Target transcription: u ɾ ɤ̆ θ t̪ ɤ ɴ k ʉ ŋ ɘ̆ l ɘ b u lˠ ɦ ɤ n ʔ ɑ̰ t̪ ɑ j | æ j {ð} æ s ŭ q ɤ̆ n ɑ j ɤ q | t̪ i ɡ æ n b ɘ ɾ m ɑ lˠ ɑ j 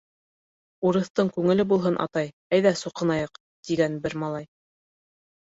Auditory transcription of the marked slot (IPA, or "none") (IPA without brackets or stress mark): ð